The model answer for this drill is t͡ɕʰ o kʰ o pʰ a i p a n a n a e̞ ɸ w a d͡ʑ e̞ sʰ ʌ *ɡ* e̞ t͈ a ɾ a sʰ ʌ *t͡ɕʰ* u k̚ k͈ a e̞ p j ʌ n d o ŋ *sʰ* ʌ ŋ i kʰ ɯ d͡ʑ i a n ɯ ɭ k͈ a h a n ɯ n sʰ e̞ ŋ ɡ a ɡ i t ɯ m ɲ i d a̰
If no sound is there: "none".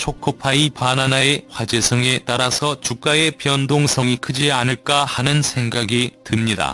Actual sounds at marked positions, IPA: ŋ, t͡ɕ, sʰ

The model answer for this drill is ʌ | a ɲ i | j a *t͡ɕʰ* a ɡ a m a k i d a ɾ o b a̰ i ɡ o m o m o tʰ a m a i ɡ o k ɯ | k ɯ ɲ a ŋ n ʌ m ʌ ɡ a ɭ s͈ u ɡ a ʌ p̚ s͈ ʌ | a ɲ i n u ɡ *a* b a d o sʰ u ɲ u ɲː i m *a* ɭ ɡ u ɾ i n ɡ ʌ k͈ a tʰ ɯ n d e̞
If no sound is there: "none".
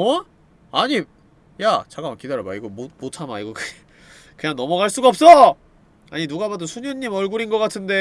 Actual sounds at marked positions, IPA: t͡ɕ, a, ʌ

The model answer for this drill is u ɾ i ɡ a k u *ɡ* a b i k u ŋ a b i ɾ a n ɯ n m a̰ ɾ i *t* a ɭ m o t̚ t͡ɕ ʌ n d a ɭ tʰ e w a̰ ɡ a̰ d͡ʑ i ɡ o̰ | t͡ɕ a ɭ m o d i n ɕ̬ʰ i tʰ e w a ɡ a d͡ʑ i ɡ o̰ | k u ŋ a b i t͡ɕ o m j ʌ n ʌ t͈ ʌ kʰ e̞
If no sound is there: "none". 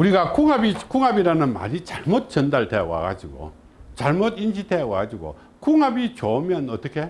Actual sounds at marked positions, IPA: ŋ, t͡ɕ

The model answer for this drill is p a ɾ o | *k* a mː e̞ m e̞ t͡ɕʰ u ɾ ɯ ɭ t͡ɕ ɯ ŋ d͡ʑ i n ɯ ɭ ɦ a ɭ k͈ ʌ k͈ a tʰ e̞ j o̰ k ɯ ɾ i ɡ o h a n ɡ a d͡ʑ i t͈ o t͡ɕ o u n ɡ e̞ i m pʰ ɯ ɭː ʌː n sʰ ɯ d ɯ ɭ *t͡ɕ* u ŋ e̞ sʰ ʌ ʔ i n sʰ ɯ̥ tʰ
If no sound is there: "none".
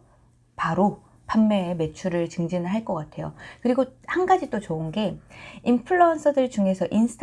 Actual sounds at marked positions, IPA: p, t͡ɕ

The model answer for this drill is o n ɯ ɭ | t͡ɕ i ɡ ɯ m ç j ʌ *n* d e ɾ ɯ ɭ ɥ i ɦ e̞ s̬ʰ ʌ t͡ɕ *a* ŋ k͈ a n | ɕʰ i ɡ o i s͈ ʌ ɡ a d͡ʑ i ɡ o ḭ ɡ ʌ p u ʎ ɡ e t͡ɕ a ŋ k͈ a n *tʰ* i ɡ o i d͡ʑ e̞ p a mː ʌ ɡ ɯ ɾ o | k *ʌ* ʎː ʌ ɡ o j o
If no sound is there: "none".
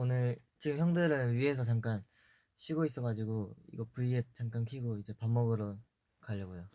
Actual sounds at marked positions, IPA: ŋ, a, kʰ, a

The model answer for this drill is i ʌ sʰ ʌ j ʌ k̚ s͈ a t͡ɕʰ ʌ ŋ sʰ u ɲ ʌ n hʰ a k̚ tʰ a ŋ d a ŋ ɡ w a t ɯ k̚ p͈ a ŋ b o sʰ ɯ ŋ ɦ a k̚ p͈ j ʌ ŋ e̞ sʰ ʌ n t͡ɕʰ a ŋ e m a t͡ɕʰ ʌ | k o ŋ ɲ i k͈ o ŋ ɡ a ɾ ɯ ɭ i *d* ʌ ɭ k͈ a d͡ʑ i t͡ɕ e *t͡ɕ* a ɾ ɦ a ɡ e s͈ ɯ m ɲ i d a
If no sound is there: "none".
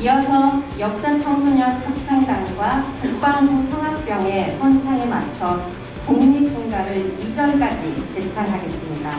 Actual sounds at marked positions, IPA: d͡ʑ, t͡ɕʰ

